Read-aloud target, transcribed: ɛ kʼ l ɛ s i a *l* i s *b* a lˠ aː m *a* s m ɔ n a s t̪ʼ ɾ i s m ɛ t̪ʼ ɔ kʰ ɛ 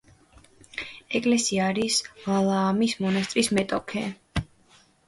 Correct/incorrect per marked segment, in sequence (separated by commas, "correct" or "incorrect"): incorrect, incorrect, incorrect